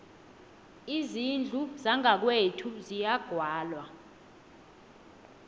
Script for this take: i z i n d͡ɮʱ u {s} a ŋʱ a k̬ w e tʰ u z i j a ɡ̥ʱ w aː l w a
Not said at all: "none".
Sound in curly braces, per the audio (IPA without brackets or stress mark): z